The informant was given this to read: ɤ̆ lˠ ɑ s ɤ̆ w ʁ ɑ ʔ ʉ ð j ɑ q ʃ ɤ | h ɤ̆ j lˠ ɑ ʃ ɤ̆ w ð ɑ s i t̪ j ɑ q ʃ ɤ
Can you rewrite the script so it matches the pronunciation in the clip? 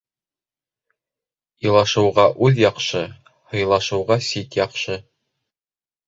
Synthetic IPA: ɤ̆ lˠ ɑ ʃ ɤ̆ w ʁ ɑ ʔ ʉ ð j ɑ q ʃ ɤ | h ɤ̆ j lˠ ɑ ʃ ɤ̆ w ʁ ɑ s i t̪ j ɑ q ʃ ɤ